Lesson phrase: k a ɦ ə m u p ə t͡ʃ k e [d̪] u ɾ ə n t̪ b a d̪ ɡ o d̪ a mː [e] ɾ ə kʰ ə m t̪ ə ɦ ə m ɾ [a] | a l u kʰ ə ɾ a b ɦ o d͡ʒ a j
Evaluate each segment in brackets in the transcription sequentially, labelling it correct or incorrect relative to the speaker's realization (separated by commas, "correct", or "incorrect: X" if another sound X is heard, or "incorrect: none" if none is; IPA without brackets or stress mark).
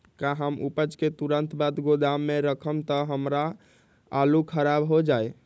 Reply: incorrect: t̪, correct, correct